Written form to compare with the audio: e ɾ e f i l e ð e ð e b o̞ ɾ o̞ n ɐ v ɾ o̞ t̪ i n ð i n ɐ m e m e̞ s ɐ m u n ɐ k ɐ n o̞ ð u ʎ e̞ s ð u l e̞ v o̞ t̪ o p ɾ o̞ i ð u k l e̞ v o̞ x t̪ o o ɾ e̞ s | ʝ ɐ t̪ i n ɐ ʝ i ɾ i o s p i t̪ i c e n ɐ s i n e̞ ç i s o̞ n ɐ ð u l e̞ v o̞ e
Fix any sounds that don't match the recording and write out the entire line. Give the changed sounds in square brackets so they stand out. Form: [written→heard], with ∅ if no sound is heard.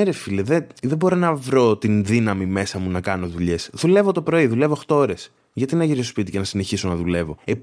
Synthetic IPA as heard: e ɾ e f i l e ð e ð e b o̞ ɾ o̞ n ɐ v ɾ o̞ t̪ i n ð i n ɐ m [e→i] m e̞ s ɐ m u n ɐ k ɐ n o̞ ð u ʎ e̞ s ð u l e̞ v o̞ t̪ o p ɾ o̞ i ð u [k→∅] l e̞ v o̞ x t̪ o o ɾ e̞ s | ʝ ɐ t̪ i n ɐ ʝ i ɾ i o s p i t̪ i c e n ɐ s i n e̞ ç i s o̞ n ɐ ð u l e̞ v o̞ e